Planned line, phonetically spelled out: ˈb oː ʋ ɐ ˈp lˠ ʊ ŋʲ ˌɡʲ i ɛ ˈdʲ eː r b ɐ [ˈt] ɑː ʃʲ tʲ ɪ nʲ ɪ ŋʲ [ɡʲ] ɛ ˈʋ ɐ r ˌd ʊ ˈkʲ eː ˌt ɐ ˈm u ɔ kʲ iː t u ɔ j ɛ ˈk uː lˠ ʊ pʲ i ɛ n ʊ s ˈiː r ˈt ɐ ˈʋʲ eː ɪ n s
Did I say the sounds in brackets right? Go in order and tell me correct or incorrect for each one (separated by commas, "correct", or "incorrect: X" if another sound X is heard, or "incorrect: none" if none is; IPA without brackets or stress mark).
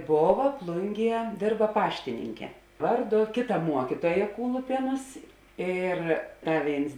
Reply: incorrect: p, incorrect: kʲ